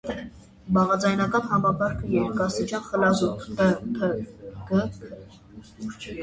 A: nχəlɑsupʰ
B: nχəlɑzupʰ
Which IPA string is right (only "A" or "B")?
B